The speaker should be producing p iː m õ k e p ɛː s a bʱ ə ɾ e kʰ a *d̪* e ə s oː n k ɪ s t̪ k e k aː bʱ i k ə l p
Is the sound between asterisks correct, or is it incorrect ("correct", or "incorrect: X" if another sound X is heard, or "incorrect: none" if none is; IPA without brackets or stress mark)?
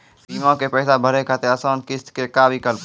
incorrect: t̪